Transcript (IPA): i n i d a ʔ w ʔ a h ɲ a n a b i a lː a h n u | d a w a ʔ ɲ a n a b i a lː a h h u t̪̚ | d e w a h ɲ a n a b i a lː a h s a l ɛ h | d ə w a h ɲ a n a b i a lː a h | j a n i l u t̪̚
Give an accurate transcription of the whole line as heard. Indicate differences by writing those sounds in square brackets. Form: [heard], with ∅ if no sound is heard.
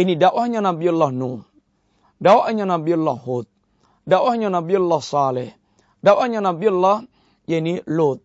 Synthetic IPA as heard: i n i d a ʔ w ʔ a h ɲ a n a b i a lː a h n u | d a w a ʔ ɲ a n a b i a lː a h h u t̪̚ | d [a] w a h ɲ a n a b i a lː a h s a l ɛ h | d [a] w a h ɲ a n a b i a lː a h | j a n i l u t̪̚